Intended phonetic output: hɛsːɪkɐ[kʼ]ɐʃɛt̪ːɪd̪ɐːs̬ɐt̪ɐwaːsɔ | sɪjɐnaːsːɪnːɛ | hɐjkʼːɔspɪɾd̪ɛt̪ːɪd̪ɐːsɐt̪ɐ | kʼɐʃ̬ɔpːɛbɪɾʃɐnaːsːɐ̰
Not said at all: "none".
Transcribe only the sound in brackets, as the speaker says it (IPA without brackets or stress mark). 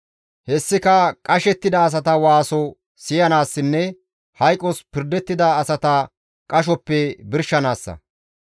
kʼ